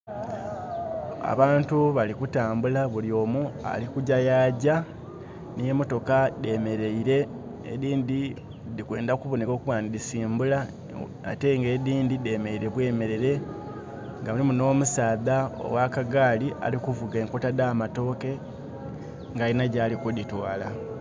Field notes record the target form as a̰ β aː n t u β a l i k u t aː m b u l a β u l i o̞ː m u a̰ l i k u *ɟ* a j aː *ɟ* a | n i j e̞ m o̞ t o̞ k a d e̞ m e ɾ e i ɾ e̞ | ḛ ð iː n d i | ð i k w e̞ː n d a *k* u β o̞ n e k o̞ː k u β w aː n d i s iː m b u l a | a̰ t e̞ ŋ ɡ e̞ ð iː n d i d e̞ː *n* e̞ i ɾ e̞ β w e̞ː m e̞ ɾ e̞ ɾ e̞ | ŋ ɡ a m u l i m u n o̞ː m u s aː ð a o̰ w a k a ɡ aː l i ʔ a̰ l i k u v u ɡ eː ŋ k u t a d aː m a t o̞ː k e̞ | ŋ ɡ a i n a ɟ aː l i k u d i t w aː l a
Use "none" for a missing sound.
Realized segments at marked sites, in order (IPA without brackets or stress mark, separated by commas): ɟ, ɟ, k, m